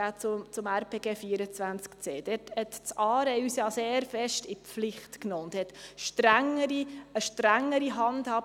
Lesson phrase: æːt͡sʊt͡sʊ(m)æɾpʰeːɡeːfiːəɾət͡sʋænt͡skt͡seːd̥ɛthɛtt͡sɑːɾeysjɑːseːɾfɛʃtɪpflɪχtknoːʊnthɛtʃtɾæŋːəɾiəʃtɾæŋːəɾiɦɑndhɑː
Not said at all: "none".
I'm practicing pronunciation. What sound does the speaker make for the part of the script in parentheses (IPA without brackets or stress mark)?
m